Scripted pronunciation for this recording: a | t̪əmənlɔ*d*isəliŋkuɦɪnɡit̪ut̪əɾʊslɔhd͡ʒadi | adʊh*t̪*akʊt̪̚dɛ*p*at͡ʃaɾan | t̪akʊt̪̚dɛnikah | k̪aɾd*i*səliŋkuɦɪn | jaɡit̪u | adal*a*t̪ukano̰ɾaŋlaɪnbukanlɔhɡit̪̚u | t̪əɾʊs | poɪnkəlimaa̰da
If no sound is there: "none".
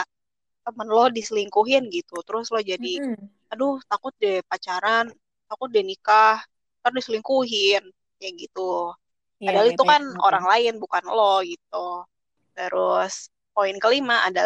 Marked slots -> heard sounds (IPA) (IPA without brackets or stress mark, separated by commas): d, t̪, p, i, i